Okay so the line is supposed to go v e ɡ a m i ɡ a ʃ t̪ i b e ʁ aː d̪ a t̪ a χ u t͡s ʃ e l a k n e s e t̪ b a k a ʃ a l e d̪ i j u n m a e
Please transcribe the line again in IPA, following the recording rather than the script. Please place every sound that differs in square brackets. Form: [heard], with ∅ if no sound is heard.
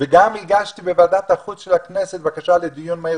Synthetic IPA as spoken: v e ɡ a m i ɡ a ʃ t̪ i b e [v] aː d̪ a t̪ a χ u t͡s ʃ e l a k n e s e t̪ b a k a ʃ a l e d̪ i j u n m a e